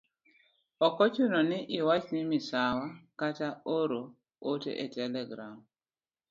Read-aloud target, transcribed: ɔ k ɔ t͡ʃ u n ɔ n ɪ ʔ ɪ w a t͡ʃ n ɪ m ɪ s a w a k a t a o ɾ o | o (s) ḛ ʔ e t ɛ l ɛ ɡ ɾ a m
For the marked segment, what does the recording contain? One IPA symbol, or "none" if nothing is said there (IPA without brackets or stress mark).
t